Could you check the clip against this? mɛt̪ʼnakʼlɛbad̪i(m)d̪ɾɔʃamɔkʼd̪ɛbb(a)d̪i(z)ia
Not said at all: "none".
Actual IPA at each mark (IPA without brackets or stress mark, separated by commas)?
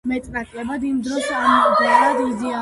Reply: m, a, z